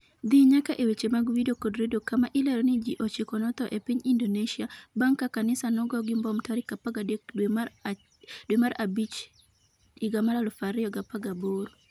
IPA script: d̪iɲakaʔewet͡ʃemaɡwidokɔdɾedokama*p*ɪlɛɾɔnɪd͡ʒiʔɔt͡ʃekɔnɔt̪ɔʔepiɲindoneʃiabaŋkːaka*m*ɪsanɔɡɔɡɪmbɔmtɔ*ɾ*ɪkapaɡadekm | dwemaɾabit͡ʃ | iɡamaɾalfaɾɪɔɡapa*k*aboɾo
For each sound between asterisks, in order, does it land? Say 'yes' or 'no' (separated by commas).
no, no, yes, no